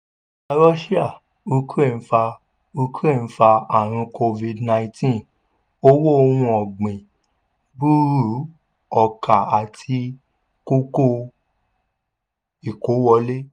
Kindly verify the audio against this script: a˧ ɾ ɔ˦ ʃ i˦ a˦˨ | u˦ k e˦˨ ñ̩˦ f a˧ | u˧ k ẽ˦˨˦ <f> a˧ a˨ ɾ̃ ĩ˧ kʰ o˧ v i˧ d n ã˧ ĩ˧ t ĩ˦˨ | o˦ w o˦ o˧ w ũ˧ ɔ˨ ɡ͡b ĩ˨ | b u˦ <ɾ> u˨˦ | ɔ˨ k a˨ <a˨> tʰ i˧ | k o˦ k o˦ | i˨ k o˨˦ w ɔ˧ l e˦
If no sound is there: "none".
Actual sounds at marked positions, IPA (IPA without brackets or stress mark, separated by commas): f, ɾ, a˨